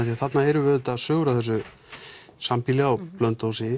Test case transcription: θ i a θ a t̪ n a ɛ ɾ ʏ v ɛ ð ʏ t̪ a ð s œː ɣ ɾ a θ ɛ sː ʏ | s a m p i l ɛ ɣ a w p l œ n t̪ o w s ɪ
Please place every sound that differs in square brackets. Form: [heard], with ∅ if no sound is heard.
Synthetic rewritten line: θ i a θ a t̪ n a ɛ ɾ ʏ v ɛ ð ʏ t̪ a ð s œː ɣ ɾ a θ ɛ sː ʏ | s a m p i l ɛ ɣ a w p l œ n t̪ o w s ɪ